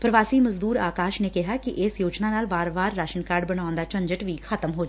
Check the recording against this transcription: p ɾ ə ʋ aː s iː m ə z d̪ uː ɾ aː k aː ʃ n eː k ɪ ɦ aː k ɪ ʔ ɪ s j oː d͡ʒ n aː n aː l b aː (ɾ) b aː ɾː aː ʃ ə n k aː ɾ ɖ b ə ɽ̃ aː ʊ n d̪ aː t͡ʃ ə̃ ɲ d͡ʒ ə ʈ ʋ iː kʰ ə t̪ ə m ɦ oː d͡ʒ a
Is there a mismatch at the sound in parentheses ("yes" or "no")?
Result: no